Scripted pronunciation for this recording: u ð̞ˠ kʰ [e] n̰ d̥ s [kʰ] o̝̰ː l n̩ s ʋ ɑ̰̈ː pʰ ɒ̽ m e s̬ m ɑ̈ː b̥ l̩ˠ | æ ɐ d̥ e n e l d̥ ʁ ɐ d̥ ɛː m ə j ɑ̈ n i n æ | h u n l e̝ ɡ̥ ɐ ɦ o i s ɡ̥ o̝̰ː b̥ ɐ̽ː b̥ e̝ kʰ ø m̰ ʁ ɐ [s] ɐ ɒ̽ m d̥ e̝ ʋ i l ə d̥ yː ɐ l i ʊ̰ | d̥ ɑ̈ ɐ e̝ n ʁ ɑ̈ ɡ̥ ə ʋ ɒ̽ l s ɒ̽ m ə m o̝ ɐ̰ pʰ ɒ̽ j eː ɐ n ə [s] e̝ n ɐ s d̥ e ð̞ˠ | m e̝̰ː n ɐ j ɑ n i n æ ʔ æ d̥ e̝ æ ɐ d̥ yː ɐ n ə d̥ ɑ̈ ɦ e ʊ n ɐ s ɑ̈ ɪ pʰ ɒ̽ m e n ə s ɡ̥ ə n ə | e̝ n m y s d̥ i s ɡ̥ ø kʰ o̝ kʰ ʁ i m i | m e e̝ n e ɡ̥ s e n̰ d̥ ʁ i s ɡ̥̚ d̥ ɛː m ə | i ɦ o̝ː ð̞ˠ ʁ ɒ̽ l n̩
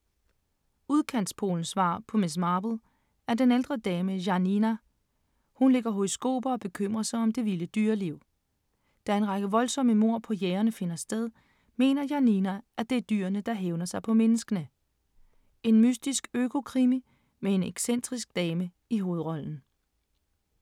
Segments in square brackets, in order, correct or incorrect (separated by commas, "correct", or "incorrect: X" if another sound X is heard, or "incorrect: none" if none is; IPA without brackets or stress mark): incorrect: æ, incorrect: pʰ, correct, incorrect: f